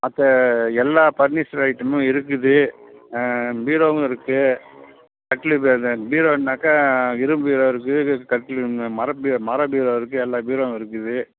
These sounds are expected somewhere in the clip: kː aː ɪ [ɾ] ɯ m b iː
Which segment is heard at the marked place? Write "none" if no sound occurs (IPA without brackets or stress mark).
ɾ